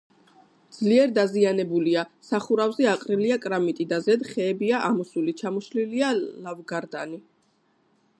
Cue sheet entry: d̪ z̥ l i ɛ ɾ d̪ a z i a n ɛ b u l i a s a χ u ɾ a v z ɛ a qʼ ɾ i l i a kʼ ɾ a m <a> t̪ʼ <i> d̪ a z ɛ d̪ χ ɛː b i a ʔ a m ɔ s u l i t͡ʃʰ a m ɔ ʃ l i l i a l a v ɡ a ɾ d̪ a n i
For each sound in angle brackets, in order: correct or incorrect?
incorrect: i, correct

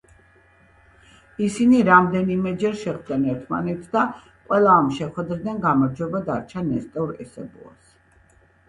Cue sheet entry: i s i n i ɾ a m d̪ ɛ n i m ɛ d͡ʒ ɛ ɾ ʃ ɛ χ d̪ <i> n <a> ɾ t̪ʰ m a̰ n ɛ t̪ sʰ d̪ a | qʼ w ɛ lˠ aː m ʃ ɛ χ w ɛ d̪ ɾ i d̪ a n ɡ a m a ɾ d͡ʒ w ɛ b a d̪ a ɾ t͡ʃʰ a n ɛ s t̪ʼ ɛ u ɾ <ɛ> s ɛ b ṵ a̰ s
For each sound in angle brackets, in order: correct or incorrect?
incorrect: ɛ, incorrect: ɛ, correct

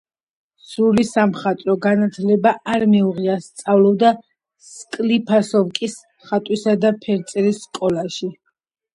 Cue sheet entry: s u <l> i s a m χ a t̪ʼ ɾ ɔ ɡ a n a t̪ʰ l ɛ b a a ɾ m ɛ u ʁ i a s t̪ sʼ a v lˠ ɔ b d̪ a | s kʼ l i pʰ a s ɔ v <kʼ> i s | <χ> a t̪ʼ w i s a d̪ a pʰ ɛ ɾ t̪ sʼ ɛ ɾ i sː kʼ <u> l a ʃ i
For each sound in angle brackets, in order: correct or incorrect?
correct, correct, correct, incorrect: ɔ

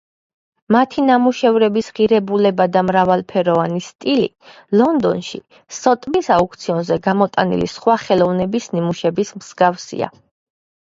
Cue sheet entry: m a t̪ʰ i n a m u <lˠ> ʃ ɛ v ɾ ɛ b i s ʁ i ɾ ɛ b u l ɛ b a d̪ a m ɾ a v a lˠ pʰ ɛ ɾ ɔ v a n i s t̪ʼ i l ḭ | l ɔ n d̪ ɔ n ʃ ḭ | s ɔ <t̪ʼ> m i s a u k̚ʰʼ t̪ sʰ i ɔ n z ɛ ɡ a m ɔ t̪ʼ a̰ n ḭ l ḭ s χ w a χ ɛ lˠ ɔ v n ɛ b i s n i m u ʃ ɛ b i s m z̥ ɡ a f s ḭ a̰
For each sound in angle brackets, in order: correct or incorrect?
incorrect: none, correct

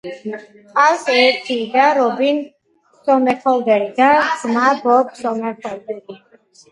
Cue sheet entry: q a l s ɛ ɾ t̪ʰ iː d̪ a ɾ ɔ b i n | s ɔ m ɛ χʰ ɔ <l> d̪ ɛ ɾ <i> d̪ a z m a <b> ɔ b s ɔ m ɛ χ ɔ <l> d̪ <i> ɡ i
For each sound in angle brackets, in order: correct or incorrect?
correct, correct, correct, correct, incorrect: ɛ

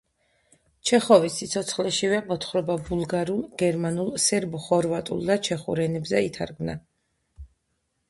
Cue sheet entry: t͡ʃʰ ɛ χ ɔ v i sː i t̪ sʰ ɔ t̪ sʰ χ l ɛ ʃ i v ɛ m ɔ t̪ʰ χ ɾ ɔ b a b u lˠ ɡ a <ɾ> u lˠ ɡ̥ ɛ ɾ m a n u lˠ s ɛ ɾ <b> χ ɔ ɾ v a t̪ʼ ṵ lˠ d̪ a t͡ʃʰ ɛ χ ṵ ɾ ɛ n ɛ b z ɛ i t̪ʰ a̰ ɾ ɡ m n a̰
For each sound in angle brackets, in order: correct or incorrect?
correct, correct

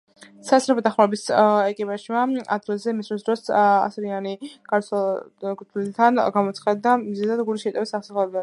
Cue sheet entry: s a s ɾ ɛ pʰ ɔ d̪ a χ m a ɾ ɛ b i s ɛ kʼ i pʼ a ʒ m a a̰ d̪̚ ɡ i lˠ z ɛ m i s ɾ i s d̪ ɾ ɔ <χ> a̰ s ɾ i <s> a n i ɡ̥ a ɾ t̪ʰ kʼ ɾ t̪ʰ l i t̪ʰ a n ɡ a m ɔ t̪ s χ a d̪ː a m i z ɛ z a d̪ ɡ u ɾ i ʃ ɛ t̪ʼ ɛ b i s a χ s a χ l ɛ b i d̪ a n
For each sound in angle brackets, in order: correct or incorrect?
incorrect: s, incorrect: none

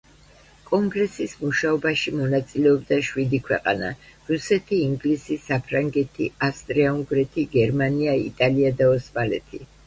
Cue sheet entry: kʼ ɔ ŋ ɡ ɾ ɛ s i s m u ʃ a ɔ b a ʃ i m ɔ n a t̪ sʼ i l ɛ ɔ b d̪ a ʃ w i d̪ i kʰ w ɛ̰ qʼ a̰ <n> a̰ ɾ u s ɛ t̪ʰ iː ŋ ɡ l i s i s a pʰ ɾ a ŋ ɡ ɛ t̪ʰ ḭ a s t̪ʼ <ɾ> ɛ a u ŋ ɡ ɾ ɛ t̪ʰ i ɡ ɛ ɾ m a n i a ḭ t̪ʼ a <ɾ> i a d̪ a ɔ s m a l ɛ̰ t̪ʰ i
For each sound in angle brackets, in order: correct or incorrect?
correct, correct, incorrect: l

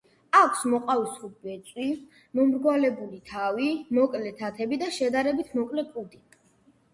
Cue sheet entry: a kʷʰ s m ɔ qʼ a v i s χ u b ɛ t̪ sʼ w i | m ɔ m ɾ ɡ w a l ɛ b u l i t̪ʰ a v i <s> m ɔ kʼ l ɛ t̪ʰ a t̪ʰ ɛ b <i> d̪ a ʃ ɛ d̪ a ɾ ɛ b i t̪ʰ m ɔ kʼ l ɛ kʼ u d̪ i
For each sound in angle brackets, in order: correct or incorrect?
incorrect: none, correct

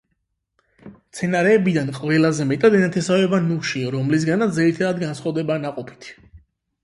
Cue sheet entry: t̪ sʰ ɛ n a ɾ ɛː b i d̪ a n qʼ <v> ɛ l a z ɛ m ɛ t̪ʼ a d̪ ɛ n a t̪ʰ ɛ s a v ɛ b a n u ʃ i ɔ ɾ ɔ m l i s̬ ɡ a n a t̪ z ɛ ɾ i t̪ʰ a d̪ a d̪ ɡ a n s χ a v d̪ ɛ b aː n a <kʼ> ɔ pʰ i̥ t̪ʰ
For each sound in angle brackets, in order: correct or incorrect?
correct, incorrect: qʼ

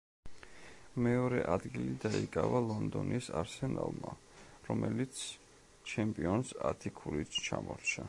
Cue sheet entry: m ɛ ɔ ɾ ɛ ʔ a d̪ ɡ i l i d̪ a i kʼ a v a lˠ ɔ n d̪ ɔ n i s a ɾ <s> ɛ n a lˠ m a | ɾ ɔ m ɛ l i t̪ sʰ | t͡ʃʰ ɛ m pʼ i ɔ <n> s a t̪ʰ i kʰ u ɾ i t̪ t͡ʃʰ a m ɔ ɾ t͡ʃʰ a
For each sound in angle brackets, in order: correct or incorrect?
correct, correct

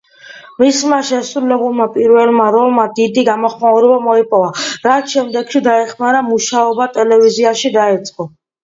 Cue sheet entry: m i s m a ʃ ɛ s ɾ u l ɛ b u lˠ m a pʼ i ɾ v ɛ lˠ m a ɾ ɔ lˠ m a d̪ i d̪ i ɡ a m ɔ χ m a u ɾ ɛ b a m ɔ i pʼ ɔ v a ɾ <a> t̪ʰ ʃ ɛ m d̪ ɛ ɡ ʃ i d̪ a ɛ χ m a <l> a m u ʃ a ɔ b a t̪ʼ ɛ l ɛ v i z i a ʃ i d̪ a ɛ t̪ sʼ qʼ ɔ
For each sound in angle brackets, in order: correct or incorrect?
correct, incorrect: ɾ

